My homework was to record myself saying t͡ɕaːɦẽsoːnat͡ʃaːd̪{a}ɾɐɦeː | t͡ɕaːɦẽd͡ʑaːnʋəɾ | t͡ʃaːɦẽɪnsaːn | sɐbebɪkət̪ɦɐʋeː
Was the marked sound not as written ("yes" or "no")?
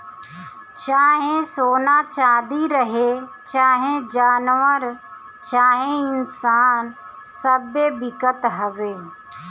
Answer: yes